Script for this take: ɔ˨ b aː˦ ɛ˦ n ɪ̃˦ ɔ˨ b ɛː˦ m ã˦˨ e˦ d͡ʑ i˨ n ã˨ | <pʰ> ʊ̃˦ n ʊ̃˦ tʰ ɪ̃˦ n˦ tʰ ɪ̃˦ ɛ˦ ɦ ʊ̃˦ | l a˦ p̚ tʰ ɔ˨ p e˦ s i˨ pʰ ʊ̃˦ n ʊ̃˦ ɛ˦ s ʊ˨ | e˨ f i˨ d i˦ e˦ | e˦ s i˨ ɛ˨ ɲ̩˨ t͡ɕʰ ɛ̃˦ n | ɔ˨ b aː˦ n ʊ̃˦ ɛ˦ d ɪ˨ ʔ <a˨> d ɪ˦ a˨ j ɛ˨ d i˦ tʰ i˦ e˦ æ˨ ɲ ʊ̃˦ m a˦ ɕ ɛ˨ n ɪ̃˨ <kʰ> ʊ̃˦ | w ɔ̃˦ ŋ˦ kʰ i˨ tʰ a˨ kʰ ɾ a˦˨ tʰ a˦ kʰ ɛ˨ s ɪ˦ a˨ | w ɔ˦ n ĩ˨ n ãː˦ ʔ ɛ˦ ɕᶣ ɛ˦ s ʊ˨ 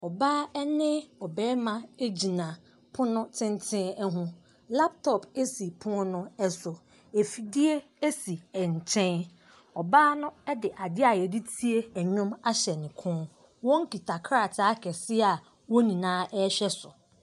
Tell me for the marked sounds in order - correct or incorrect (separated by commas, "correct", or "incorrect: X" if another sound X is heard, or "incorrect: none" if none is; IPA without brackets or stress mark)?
correct, correct, correct